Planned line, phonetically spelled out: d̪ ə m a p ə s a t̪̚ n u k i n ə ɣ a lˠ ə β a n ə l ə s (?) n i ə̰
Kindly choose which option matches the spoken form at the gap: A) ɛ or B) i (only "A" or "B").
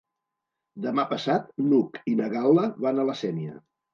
A